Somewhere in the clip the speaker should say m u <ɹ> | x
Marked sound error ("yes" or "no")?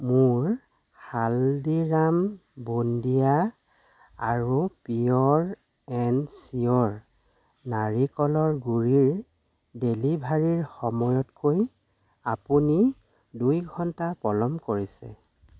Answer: no